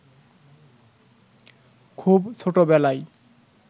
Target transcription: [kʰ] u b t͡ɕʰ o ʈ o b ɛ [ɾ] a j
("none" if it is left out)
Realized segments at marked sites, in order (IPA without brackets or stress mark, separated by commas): kʰ, l